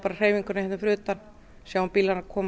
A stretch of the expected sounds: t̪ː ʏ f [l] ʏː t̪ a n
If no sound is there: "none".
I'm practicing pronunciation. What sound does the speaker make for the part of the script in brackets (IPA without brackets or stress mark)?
ɾ